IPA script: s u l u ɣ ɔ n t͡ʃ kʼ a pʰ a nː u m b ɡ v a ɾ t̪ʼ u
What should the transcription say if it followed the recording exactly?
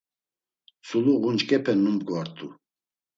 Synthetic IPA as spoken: s u l u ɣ u n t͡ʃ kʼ ɛ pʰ ɛ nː u m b ɡ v a ɾ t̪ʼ u